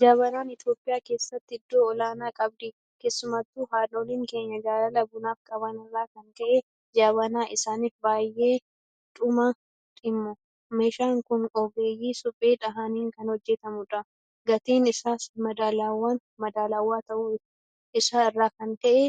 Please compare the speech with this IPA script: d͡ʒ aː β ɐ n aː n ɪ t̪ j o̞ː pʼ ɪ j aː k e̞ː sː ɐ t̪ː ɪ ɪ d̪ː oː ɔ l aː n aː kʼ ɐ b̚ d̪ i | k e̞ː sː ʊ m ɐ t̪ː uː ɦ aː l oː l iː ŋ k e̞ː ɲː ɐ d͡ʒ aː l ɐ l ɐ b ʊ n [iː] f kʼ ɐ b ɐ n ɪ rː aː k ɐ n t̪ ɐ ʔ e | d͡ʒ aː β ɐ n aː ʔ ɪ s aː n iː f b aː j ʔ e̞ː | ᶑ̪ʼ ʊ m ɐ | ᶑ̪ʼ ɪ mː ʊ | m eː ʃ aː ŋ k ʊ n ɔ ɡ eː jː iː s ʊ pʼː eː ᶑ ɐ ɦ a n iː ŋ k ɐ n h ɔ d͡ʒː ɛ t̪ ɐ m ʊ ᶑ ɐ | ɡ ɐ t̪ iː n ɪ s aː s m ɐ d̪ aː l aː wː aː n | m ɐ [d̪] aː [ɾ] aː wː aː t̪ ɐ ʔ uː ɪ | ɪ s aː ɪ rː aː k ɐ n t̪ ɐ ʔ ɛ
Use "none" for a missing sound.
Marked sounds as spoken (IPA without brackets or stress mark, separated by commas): aː, d̪, l